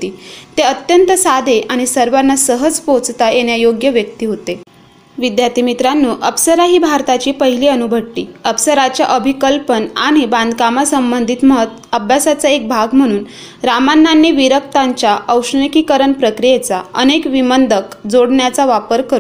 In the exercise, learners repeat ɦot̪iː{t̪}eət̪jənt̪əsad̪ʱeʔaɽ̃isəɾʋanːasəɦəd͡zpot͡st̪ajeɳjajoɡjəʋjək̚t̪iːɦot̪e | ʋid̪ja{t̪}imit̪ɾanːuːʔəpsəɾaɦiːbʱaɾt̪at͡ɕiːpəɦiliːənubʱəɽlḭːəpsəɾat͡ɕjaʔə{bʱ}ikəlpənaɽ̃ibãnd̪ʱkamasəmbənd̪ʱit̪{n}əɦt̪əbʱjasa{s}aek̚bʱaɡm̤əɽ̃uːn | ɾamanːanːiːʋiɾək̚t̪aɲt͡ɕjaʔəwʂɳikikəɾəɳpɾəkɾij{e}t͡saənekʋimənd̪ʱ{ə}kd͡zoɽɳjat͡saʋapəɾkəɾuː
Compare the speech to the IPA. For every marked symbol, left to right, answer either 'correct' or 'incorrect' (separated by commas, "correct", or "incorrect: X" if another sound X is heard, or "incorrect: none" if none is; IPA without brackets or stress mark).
correct, correct, correct, incorrect: m, incorrect: t͡s, correct, correct